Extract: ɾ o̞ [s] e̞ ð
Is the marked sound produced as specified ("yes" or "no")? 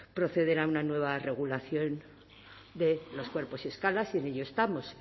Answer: no